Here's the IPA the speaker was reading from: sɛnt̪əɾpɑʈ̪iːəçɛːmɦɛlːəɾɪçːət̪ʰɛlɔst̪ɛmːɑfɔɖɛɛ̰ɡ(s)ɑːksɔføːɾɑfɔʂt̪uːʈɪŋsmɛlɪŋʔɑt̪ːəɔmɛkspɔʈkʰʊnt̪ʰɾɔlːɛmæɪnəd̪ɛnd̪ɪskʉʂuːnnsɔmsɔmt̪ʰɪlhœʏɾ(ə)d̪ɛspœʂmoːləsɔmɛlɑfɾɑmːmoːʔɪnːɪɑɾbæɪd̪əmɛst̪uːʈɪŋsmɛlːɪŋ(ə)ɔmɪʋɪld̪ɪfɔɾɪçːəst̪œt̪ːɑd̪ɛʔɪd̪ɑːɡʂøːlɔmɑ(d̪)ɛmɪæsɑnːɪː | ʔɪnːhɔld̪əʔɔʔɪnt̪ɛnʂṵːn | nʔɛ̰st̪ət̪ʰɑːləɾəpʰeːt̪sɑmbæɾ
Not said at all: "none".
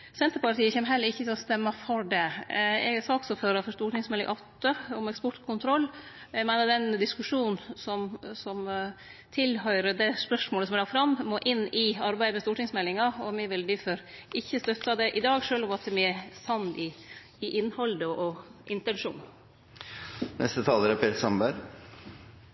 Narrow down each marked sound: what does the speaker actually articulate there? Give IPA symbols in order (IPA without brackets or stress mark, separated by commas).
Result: s, ə, ɑ, t̪